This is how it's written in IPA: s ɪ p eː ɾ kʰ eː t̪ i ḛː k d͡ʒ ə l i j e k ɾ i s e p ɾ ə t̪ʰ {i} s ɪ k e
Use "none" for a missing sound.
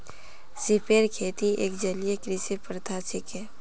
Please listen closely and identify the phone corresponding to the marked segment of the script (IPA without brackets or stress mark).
a